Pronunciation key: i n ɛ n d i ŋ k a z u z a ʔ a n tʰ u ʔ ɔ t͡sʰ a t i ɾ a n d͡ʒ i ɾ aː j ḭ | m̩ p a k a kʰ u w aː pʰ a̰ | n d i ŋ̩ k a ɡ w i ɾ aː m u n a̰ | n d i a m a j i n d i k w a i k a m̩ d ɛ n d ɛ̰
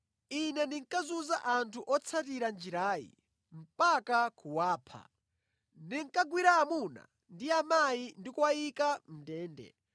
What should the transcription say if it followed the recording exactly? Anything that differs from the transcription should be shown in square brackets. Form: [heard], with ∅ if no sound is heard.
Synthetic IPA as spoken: i n ɛ n d i ŋ k a z u z a ʔ a n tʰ u ʔ ɔ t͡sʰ a t i ɾ a n d͡ʒ i ɾ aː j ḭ | m̩ p a k a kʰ u w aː pʰ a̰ | n d i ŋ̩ k a ɡ w i ɾ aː m u n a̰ | n d i a m a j i n d i k w a i k a m̩ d [ɛː] n d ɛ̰